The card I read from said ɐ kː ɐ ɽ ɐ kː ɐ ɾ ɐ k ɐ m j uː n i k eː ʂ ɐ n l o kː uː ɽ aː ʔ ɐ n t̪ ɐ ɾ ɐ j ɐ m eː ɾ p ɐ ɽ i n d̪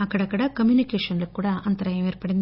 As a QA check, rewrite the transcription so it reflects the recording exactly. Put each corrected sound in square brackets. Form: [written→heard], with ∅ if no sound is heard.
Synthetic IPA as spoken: ɐ kː ɐ ɽ ɐ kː ɐ [ɾ→ɽ] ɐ k ɐ m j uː n i k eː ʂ ɐ n l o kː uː ɽ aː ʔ ɐ n t̪ ɐ ɾ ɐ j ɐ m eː ɾ p ɐ ɽ i n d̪

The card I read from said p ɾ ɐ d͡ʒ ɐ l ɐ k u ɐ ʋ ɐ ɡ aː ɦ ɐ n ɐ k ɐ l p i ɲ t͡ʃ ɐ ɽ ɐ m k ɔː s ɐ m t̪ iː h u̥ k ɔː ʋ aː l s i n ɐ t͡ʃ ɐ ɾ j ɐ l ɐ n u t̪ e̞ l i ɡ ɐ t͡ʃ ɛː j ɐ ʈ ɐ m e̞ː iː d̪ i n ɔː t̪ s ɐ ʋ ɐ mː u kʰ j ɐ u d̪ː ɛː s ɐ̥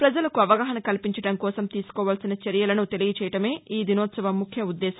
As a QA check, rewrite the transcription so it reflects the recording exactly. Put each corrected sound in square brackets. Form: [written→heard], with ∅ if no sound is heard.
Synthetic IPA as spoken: p ɾ ɐ d͡ʒ ɐ l ɐ k u ɐ ʋ ɐ ɡ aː ɦ ɐ n ɐ k ɐ l p i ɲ t͡ʃ ɐ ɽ ɐ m k ɔː s ɐ m t̪ iː [h→s] u̥ k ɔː ʋ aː l s i n ɐ t͡ʃ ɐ ɾ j ɐ l ɐ n u t̪ e̞ l i ɡ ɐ t͡ʃ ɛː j ɐ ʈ ɐ m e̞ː iː d̪ i n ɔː t̪ s ɐ ʋ ɐ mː u kʰ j ɐ u d̪ː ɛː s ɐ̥

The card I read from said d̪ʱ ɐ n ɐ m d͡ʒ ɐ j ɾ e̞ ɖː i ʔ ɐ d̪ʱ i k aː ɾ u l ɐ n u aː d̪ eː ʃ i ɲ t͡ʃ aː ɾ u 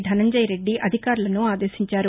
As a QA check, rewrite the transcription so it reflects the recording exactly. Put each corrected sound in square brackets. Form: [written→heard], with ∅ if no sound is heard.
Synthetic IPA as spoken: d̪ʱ ɐ n ɐ [m→ɲ] d͡ʒ ɐ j ɾ e̞ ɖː i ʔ ɐ d̪ʱ i k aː ɾ u l ɐ n u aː d̪ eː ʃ i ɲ t͡ʃ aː ɾ u

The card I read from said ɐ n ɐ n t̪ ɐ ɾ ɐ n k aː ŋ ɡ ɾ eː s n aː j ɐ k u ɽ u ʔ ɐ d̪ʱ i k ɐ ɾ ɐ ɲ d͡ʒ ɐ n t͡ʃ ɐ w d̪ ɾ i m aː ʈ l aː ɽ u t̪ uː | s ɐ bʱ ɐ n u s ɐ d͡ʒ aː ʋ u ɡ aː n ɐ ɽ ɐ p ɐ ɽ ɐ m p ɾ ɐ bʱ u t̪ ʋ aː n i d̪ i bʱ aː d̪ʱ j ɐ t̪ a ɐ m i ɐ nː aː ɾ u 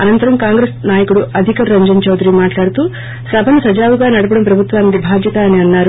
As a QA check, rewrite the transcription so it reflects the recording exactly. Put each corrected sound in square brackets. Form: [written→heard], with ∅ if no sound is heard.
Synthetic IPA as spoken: ɐ n ɐ n t̪ ɐ ɾ ɐ [n→m] k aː ŋ ɡ ɾ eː s n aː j ɐ k u ɽ u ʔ ɐ d̪ʱ i k ɐ ɾ ɐ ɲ d͡ʒ ɐ n t͡ʃ ɐ w d̪ ɾ i m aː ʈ l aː ɽ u t̪ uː | s ɐ bʱ ɐ n u s ɐ d͡ʒ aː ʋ u ɡ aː n ɐ ɽ ɐ p ɐ ɽ ɐ m p ɾ ɐ bʱ u t̪ ʋ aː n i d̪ i bʱ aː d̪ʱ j ɐ t̪ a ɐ [m→n] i ɐ nː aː ɾ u

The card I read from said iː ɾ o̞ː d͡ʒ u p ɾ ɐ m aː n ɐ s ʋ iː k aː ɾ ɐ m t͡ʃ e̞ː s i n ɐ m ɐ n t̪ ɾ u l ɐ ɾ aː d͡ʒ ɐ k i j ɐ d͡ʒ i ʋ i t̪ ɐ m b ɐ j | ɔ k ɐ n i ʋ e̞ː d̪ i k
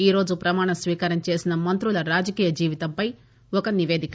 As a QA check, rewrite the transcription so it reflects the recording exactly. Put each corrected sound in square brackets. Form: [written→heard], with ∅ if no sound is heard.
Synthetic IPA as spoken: iː ɾ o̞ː d͡ʒ u p ɾ ɐ m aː [n→ɳ] ɐ s ʋ iː k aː ɾ ɐ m t͡ʃ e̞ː s i n ɐ m ɐ n t̪ ɾ u l ɐ ɾ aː d͡ʒ ɐ k [i→iː] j ɐ d͡ʒ [i→iː] ʋ i t̪ ɐ m [b→p] ɐ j | ɔ k ɐ n i ʋ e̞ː d̪ i k

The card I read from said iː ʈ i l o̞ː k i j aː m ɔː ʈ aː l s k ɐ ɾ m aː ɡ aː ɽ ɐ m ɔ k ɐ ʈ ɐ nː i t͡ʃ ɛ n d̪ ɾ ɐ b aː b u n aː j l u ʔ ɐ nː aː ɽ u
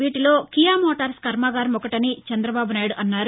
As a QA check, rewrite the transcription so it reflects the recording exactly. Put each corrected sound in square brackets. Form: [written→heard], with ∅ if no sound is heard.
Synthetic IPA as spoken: iː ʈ i l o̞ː k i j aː m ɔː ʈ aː [l→ɾ] s k ɐ ɾ m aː ɡ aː [ɽ→ɾ] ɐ m ɔ k ɐ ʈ ɐ [nː→n] i t͡ʃ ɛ n d̪ ɾ ɐ b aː b u n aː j [l→ɽ] u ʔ ɐ nː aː [ɽ→ɾ] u

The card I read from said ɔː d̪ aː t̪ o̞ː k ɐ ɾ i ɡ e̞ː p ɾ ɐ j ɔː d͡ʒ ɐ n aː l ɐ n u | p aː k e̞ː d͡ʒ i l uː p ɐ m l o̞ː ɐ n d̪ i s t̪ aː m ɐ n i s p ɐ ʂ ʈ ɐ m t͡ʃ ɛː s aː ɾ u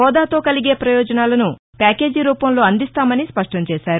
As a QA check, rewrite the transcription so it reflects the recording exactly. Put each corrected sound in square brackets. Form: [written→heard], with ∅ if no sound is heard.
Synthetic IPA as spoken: ɔː d̪ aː t̪ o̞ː k ɐ [ɾ→l] i ɡ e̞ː p ɾ ɐ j ɔː d͡ʒ ɐ n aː l ɐ n u | p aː k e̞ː d͡ʒ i [l→ɾ] uː p ɐ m l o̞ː ɐ n d̪ i s t̪ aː m ɐ n i s p ɐ ʂ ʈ ɐ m t͡ʃ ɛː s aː ɾ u

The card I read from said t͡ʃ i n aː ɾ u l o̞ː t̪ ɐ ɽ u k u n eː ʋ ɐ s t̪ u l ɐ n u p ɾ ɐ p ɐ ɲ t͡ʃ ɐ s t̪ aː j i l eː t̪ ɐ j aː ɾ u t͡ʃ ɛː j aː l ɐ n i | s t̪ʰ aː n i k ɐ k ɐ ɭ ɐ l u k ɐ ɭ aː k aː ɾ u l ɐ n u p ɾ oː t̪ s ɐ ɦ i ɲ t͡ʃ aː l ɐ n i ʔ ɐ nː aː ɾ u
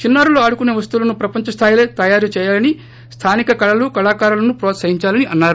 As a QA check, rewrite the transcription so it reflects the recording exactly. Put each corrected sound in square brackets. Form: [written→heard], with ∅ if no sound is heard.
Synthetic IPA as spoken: t͡ʃ i [n→nː] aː ɾ u l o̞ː [t̪→∅] ɐ ɽ u k u n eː ʋ ɐ s t̪ u l ɐ n u p ɾ ɐ p ɐ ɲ t͡ʃ ɐ s [t̪→t̪ʰ] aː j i l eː t̪ ɐ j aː ɾ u t͡ʃ ɛː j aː l ɐ n i | s t̪ʰ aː n i k ɐ k ɐ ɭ ɐ l u k ɐ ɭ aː k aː ɾ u l ɐ n u p ɾ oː t̪ s ɐ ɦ i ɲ t͡ʃ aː l ɐ n i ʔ ɐ nː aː ɾ u

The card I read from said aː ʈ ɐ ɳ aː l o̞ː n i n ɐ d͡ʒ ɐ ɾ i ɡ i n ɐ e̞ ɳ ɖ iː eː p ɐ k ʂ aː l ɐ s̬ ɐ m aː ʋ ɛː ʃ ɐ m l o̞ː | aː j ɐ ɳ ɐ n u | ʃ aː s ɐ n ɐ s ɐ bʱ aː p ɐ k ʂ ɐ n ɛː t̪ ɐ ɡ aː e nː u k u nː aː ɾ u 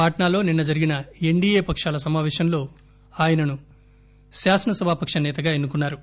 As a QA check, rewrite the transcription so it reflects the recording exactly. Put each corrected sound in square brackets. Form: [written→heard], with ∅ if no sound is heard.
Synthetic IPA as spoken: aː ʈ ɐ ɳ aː l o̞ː n i [n→nː] ɐ d͡ʒ ɐ ɾ i ɡ i n ɐ e̞ ɳ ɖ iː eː p ɐ k ʂ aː l ɐ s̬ ɐ m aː ʋ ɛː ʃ ɐ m l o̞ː | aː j ɐ [ɳ→n] ɐ n u | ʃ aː s ɐ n ɐ s ɐ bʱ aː p ɐ k ʂ ɐ n ɛː t̪ ɐ ɡ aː e nː u k u nː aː ɾ u

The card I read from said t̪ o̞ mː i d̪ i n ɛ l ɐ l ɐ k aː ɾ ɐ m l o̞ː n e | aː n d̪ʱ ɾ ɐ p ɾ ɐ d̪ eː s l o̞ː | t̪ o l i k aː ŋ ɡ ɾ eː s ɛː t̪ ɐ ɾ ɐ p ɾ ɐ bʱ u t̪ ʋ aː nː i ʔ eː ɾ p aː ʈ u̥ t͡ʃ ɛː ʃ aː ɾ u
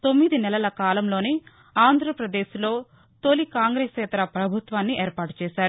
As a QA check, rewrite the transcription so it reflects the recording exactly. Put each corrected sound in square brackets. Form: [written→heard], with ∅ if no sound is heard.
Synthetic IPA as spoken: t̪ o̞ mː i d̪ i n ɛ l ɐ l ɐ k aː [ɾ→l] ɐ m l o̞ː n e | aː n d̪ʱ ɾ ɐ p ɾ ɐ d̪ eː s l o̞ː | t̪ o l i k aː ŋ ɡ ɾ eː s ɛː t̪ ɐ ɾ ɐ p ɾ ɐ bʱ u t̪ ʋ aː nː i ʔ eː ɾ p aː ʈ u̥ t͡ʃ ɛː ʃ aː ɾ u

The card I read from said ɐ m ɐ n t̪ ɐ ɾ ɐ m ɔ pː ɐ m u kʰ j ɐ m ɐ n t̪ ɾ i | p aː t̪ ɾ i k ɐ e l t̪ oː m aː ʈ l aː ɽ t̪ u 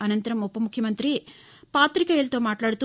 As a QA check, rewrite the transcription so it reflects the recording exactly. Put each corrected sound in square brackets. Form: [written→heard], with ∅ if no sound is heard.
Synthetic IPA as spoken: ɐ [m→n] ɐ n t̪ ɐ ɾ ɐ m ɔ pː ɐ m u kʰ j ɐ m ɐ n t̪ ɾ i | p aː t̪ ɾ i k ɐ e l t̪ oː m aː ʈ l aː ɽ t̪ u

